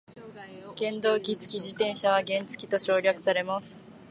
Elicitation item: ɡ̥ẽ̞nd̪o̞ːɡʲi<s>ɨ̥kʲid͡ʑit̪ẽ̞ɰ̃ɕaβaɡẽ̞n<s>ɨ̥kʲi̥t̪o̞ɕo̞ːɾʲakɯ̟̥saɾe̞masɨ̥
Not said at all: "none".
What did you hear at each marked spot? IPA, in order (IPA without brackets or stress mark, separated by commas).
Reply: t͡s, t͡s